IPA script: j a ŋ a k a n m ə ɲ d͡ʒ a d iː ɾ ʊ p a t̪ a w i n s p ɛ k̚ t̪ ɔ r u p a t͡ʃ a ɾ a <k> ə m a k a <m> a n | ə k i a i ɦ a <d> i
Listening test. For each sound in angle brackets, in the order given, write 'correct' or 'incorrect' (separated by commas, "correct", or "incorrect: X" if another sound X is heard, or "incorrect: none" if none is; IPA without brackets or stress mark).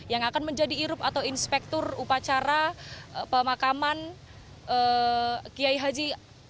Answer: incorrect: p, correct, incorrect: d͡ʒ